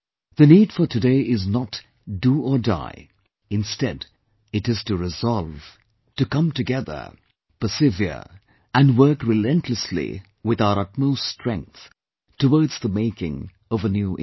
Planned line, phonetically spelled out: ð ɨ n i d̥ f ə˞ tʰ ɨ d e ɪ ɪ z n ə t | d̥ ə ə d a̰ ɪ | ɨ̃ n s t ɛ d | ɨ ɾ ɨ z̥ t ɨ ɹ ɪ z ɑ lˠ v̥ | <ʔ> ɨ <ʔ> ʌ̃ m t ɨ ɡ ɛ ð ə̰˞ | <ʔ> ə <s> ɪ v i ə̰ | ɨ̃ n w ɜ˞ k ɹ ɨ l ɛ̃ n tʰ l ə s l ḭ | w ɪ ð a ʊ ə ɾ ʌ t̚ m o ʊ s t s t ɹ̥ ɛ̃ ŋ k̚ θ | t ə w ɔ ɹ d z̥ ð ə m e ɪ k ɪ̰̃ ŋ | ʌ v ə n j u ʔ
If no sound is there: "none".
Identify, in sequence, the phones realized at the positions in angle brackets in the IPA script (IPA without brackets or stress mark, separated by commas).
t, k, p, s